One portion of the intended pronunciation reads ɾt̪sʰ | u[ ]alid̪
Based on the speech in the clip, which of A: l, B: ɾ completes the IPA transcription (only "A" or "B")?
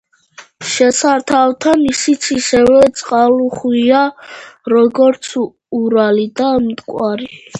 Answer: B